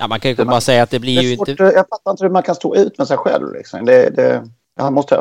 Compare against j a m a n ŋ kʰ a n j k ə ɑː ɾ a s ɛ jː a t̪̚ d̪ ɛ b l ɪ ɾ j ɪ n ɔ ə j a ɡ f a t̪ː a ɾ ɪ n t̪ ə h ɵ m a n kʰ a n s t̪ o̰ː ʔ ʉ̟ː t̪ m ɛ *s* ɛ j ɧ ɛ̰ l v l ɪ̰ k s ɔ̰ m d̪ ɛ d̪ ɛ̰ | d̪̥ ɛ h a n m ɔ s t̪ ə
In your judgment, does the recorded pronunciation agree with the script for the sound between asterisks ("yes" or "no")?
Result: yes